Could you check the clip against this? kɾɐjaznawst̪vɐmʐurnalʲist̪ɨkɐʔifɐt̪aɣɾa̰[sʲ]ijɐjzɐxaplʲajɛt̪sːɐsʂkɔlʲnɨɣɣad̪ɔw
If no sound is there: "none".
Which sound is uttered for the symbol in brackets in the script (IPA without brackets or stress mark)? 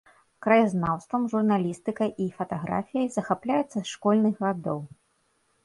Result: fʲ